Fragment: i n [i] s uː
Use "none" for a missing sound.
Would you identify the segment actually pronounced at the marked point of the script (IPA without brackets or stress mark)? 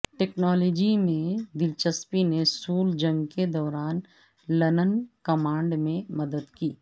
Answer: e